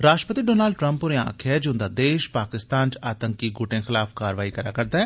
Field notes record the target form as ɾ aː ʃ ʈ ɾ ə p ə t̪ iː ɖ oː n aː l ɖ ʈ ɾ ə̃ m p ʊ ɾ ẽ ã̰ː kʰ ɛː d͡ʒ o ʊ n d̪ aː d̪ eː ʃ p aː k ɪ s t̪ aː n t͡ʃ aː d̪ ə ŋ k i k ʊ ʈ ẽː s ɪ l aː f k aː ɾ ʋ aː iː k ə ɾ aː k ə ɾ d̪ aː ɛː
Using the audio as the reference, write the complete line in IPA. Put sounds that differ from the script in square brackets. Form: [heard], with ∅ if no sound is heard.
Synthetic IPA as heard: ɾ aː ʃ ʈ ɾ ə p ə t̪ iː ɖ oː n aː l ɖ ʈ ɾ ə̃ m p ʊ ɾ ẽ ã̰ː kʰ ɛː d͡ʒ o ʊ n d̪ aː d̪ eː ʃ p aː k ɪ s t̪ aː n t͡ʃ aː [t̪] ə ŋ k i [ɡ] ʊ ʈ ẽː [x] ɪ l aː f k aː ɾ ʋ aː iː k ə ɾ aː k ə ɾ d̪ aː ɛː